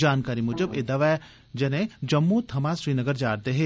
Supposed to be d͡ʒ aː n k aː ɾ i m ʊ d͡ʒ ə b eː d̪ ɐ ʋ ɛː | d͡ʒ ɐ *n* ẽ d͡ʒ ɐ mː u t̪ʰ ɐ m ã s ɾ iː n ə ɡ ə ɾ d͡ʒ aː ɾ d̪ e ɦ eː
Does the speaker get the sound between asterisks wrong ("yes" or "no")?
no